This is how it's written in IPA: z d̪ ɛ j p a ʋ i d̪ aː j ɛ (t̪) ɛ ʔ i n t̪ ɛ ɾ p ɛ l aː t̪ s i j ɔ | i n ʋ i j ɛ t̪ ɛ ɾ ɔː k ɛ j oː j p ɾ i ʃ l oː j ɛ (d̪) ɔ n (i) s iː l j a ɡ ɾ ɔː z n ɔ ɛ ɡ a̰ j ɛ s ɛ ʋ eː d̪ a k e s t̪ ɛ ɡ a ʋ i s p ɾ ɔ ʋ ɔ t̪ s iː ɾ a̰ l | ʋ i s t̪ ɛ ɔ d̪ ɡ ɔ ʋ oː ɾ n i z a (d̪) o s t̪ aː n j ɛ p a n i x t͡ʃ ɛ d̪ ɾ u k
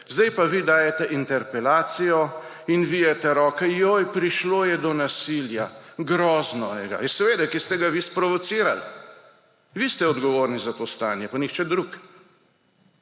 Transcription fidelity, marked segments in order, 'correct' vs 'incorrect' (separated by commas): correct, correct, incorrect, incorrect